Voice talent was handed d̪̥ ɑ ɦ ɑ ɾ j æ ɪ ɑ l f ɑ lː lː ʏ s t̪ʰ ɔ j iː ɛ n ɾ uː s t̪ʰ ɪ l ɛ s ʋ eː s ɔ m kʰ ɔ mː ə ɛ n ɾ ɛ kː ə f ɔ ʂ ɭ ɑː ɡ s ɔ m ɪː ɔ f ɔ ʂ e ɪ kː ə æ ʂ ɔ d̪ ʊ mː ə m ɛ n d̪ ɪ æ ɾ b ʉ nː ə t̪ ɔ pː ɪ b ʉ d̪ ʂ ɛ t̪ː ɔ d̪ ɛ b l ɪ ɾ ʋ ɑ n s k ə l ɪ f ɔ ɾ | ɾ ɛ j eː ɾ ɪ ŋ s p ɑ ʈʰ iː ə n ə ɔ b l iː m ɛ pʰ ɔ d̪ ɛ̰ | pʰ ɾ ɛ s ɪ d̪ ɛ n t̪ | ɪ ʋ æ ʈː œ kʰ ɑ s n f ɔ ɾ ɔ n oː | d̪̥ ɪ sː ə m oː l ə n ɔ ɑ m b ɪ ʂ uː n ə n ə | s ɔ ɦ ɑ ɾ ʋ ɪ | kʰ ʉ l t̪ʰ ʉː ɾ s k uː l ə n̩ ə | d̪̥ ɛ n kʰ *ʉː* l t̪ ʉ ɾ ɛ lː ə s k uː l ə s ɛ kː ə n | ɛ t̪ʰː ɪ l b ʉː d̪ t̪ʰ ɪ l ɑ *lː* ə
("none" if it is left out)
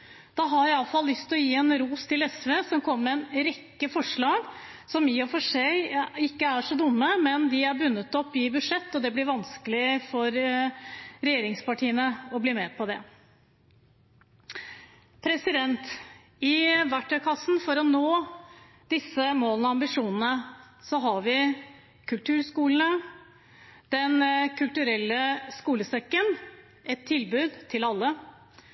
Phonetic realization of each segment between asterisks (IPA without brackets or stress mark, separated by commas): ʉ, lː